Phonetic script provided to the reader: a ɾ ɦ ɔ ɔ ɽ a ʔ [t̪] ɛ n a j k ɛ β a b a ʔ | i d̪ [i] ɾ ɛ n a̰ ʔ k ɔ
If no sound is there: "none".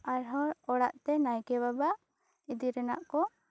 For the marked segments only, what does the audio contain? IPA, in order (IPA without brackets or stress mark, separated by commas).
t̪, i